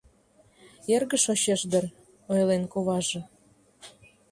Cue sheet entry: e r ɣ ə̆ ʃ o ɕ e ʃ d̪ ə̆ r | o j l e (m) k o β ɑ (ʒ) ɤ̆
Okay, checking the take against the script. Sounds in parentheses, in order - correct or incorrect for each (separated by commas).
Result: incorrect, correct